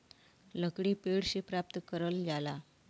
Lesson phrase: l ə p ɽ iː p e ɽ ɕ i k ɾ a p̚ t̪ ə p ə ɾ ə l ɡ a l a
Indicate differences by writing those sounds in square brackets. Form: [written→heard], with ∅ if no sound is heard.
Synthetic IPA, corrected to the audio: l ə [p→k] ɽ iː p e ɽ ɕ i [k→p] ɾ a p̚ t̪ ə [p→k] ə ɾ ə l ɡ a l a